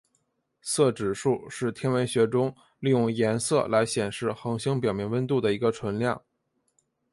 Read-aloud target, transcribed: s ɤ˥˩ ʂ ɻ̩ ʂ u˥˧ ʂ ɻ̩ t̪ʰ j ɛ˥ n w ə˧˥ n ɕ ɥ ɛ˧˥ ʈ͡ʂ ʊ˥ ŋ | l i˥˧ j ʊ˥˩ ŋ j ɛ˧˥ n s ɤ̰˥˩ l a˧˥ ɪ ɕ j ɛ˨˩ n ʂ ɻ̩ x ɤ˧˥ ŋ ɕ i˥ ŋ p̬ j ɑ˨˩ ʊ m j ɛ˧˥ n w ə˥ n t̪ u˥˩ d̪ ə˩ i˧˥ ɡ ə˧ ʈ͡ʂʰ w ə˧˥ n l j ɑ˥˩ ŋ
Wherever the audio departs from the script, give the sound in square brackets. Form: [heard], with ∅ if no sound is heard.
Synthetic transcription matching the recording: s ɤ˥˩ [ʈ͡ʂ] ɻ̩ ʂ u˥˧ ʂ ɻ̩ t̪ʰ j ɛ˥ n w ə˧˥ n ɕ ɥ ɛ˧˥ ʈ͡ʂ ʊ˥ ŋ | l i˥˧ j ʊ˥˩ ŋ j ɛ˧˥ n s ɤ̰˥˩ l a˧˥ ɪ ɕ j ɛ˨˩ n ʂ ɻ̩ x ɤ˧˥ ŋ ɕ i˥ ŋ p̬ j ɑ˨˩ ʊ m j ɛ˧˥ n w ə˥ n t̪ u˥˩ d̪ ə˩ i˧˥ ɡ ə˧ ʈ͡ʂʰ w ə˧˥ n l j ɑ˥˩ ŋ